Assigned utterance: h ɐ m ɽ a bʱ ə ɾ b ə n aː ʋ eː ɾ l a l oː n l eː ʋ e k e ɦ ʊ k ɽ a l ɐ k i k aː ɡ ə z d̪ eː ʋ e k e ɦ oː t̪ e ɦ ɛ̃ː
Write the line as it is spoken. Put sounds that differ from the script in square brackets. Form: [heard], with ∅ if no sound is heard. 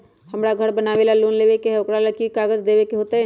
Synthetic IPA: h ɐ m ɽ a [ɡʱ] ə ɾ b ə n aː ʋ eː [∅] l a l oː n l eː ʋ e k e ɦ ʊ k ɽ a l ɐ k i k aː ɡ ə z d̪ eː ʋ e k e ɦ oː t̪ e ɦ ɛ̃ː